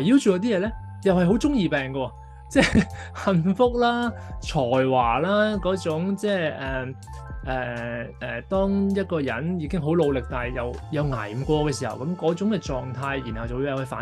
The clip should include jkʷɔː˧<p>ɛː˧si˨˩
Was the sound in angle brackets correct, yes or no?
no